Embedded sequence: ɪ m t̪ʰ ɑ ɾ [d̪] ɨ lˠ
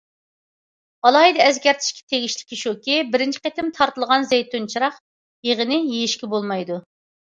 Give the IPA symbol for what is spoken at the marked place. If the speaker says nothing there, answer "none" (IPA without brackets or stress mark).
t̪